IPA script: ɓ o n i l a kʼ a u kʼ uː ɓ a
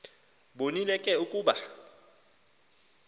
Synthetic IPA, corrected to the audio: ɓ o n i l ɛ kʼ ɛ u kʼ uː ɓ a